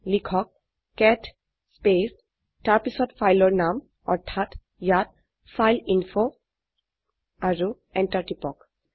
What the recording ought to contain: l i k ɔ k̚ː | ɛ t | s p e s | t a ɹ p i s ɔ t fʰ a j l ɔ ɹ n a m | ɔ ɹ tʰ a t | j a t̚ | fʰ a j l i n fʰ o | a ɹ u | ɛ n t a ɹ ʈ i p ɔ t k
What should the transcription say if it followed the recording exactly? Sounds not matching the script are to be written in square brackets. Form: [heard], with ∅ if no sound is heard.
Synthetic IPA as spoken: l i [kʰ] ɔ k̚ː | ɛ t | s p e s | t a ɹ p i s ɔ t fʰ a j l ɔ ɹ n a m | ɔ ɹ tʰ a t | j a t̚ | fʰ a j l i n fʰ o | a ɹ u | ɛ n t a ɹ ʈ i p ɔ [∅] k